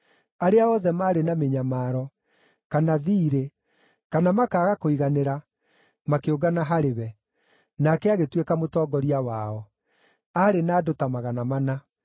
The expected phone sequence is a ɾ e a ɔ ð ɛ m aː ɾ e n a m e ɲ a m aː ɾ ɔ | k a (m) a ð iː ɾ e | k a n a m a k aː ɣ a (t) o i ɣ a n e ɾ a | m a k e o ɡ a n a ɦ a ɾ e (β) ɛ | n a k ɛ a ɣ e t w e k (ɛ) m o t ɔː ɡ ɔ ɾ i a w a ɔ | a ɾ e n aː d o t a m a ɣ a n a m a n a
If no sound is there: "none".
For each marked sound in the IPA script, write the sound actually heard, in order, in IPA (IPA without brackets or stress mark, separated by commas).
n, k, β, a